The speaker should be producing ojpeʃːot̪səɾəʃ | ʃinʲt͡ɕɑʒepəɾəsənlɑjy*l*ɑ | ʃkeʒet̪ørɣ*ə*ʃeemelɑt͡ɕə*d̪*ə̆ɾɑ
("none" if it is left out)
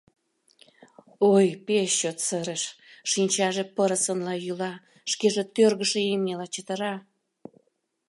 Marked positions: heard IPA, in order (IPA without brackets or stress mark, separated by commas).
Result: l, ə, t̪